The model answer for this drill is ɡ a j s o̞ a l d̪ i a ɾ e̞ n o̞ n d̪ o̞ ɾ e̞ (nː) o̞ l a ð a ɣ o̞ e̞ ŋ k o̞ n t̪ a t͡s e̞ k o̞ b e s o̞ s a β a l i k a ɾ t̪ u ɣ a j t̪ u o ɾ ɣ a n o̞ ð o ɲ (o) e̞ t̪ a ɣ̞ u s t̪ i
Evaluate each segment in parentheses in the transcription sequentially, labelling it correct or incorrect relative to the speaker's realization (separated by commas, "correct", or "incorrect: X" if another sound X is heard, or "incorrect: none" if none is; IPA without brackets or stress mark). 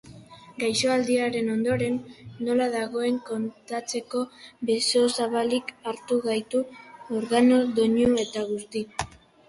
correct, incorrect: u